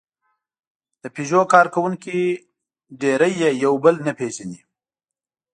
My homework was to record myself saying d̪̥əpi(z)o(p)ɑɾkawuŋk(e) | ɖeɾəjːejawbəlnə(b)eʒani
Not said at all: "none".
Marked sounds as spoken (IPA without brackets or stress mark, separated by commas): ʒ, k, i, p